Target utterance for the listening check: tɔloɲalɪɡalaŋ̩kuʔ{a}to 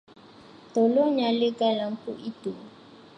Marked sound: incorrect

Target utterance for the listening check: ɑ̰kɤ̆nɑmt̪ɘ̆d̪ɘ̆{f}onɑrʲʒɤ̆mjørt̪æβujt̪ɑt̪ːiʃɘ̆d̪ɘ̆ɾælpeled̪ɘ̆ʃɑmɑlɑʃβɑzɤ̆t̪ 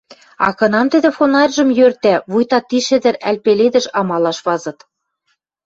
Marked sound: correct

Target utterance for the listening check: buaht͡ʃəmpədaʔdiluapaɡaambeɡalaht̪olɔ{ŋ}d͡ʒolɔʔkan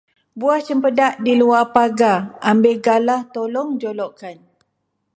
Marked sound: correct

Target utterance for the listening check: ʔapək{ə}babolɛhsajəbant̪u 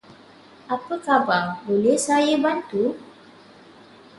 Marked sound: incorrect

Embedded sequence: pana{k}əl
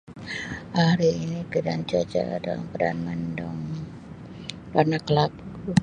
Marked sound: correct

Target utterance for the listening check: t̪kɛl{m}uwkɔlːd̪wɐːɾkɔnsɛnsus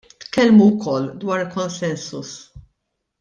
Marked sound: correct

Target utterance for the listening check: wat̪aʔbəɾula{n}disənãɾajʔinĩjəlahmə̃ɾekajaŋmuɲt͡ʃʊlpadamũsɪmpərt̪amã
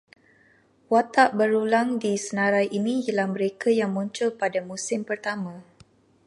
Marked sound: incorrect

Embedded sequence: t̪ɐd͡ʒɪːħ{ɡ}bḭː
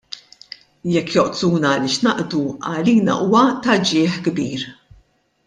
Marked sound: correct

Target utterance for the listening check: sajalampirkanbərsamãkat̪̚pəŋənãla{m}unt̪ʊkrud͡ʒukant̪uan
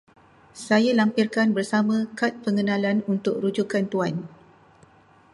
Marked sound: incorrect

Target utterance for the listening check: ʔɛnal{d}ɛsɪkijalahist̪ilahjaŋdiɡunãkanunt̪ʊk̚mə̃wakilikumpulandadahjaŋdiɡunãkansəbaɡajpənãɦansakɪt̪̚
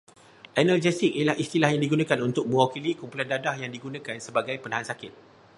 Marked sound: incorrect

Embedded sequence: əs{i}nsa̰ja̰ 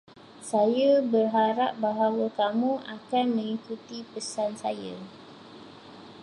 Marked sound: incorrect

